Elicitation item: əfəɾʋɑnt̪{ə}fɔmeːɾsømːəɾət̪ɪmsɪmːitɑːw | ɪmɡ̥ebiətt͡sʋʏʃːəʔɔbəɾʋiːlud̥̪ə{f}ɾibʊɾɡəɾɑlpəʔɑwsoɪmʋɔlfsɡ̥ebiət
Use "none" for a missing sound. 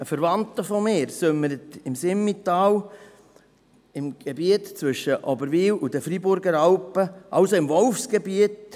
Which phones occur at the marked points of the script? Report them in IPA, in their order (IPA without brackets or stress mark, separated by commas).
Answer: ə, f